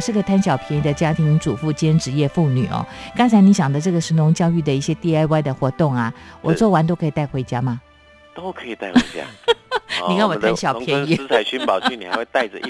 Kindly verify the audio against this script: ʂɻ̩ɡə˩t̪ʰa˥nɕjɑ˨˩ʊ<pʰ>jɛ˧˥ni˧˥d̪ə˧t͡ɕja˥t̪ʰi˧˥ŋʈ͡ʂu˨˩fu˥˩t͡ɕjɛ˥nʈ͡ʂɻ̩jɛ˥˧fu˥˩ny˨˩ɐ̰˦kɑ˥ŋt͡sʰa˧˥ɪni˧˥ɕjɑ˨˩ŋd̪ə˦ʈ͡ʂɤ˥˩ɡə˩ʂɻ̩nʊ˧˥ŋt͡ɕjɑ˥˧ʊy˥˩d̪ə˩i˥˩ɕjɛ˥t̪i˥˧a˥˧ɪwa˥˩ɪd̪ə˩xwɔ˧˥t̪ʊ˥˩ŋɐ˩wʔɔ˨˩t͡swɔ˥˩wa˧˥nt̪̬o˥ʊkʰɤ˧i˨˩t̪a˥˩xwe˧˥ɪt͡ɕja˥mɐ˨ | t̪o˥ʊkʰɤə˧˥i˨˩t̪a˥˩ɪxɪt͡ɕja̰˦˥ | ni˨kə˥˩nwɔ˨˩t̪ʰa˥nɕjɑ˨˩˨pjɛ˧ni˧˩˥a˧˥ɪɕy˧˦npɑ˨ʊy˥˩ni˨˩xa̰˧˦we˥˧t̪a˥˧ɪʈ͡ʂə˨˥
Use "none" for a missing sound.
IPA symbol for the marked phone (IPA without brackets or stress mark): pʰ